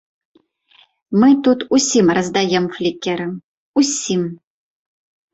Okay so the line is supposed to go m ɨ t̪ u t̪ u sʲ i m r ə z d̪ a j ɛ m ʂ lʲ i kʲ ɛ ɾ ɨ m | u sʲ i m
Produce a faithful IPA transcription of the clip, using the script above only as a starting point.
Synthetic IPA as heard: m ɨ t̪ u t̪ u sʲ i m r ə z d̪ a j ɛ m f lʲ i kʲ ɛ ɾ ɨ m | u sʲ i m